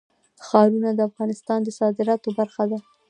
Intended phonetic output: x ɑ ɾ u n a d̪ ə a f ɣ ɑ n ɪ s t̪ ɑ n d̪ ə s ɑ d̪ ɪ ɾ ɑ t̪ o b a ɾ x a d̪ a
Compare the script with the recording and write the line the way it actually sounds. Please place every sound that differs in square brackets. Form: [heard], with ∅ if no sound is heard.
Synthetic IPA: x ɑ ɾ u n a d̪ ə a f ɣ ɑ n ɪ s t̪ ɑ n d̪ ə s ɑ d̪ ɪ ɾ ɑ t̪ o b a ɾ x a d̪ a